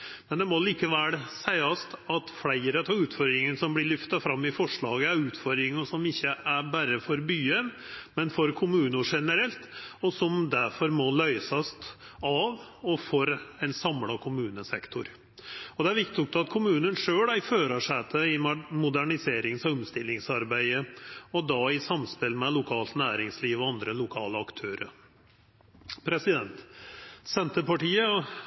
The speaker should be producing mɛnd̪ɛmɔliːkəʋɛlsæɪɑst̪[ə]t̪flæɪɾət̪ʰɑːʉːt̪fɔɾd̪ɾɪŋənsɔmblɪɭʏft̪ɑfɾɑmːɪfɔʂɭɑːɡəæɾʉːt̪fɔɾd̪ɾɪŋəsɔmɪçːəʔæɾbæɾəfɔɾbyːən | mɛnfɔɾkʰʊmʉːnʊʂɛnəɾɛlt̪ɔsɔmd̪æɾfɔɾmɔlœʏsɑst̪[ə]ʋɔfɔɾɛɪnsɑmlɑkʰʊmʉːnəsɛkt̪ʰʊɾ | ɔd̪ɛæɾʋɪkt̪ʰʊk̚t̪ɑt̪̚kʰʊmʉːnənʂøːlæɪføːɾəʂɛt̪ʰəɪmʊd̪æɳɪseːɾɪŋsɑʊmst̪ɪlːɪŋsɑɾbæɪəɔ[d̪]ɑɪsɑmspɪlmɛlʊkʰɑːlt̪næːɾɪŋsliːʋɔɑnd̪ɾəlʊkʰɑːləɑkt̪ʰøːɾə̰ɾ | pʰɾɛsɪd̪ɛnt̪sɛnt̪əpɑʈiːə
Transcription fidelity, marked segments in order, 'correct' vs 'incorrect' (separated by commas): incorrect, incorrect, correct